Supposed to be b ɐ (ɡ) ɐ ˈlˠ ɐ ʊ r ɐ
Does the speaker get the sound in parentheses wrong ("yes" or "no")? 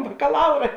yes